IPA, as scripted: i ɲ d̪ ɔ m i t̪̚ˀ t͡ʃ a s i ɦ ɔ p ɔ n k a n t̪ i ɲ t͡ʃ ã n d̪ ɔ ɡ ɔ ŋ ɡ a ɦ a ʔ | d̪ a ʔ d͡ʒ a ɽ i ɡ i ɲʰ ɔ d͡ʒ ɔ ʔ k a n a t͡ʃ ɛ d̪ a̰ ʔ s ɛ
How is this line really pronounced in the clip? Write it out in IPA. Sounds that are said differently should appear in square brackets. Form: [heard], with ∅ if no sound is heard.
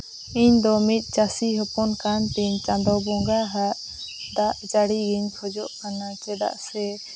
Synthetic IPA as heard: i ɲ d̪ ɔ m i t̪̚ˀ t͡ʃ a s i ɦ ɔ p ɔ n k a n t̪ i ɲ t͡ʃ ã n d̪ ɔ [b] ɔ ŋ ɡ a ɦ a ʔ | d̪ a ʔ d͡ʒ a ɽ i ɡ i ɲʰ ɔ d͡ʒ ɔ ʔ k a n a t͡ʃ ɛ d̪ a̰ ʔ s ɛ